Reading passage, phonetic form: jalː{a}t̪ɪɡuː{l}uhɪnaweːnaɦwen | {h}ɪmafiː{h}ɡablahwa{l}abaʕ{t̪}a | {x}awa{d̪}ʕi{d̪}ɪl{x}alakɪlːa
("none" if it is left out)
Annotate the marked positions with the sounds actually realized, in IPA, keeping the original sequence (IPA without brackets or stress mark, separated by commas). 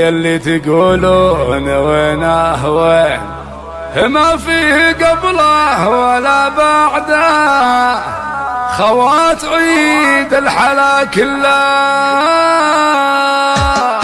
i, l, h, h, l, d̪, x, t̪, d̪, ħ